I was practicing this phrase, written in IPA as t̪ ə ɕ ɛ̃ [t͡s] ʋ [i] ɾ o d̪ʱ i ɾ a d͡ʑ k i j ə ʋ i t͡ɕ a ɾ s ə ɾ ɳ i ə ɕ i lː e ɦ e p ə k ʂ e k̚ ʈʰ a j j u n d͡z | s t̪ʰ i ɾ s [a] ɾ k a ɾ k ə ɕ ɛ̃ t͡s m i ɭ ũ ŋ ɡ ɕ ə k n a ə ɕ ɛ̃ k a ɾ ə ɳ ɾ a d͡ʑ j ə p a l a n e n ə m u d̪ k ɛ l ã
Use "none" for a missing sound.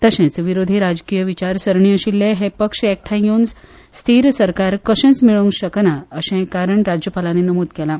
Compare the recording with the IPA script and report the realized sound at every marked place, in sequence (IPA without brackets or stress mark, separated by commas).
t͡s, i, ə